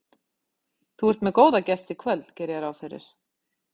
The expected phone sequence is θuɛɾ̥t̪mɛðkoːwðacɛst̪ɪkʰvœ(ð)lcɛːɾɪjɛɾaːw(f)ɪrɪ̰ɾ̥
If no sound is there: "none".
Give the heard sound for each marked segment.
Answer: none, f

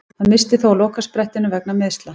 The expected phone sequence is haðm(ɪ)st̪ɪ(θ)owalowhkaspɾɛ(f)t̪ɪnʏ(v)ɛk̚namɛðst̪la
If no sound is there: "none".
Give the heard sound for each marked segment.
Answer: ɪ, θ, h, v

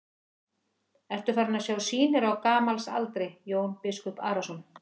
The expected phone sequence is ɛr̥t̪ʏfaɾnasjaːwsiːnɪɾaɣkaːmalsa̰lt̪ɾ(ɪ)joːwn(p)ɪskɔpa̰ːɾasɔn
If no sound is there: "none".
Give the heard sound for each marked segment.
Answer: ɪ, p

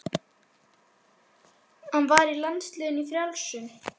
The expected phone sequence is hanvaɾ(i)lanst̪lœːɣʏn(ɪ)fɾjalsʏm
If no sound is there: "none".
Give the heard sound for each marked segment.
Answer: i, i

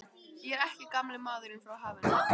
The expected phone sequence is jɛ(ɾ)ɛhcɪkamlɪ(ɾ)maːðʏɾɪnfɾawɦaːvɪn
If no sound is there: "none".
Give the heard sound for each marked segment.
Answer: ɾ, none

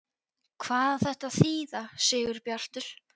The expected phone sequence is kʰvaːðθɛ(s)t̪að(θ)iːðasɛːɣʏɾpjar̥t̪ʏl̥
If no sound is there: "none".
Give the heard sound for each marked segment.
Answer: h, θ

